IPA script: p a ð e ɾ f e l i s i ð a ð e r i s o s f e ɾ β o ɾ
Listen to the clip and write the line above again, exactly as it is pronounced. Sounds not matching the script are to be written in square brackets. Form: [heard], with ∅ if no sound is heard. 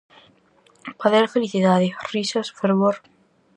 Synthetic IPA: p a ð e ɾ f e l i [θ] i ð a ð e r i s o s f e ɾ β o ɾ